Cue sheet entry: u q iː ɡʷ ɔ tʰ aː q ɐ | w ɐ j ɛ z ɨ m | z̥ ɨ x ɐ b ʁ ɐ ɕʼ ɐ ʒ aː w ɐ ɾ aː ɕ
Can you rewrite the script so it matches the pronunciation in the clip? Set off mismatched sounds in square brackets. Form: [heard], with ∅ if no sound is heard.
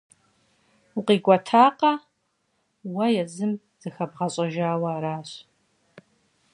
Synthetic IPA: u q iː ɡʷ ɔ tʰ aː q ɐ | w ɐ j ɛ z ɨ m | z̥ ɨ x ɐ b ʁ ɐ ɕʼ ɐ ʒ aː w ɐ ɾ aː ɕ